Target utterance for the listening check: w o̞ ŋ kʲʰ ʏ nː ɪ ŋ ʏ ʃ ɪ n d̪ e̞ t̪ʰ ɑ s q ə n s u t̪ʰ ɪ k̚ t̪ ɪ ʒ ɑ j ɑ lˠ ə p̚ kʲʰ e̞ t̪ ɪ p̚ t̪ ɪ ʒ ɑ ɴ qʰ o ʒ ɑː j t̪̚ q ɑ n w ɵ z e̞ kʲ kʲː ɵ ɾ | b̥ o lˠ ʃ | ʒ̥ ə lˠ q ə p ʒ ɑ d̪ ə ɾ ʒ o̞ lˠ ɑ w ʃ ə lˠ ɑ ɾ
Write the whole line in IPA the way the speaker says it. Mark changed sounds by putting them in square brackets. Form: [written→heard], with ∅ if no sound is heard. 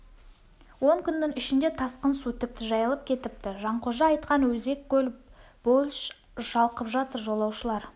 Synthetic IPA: w o̞ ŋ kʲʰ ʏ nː ɪ ŋ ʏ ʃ ɪ n d̪ e̞ t̪ʰ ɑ s q ə n s u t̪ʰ ɪ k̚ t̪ ɪ ʒ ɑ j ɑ lˠ ə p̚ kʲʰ e̞ t̪ ɪ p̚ t̪ ɪ ʒ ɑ ɴ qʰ o ʒ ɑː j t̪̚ q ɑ n w ɵ z e̞ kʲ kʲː ɵ [ɾ→l] | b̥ o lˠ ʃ | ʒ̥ [ə→ɑ] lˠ q ə p ʒ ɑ [d̪→t̪] ə ɾ ʒ o̞ lˠ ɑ w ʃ ə lˠ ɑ ɾ